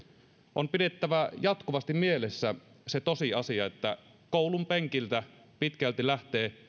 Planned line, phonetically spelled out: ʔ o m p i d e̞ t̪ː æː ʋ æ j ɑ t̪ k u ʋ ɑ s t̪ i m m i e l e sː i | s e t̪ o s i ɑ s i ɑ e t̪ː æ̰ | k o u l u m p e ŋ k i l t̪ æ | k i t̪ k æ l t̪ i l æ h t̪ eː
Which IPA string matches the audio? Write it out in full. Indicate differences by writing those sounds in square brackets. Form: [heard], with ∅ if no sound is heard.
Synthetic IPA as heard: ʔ o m p i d e̞ t̪ː [æ] ʋ æ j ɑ t̪ k u ʋ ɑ s t̪ i m m i e l e sː [æ] | s e t̪ o s i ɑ s i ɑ e t̪ː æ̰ | k o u l u m p e ŋ k i l t̪ æ | [p] i t̪ k æ l t̪ i l æ h t̪ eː